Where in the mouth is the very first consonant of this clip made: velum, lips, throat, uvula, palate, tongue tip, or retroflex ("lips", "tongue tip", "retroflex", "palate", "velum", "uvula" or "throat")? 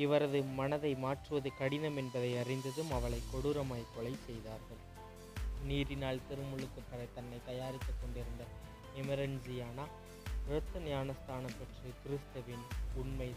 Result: lips